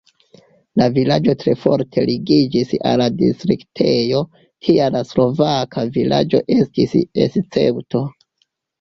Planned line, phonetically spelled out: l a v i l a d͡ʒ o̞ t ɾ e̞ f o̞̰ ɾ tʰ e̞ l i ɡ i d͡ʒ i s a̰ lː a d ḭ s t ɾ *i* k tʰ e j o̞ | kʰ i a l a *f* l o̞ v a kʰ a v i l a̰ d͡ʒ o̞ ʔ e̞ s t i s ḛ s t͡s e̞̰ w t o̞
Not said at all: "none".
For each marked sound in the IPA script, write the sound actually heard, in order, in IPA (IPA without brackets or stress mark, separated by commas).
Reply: i, s